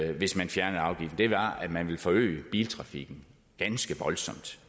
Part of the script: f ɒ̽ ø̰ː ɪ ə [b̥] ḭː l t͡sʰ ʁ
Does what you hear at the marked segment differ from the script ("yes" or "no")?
no